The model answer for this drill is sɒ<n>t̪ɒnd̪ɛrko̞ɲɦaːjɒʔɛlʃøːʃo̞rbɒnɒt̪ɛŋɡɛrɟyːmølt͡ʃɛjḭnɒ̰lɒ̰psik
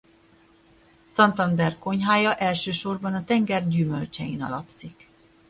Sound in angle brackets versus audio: correct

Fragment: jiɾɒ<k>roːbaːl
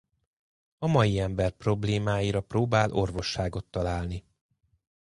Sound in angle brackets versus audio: incorrect: p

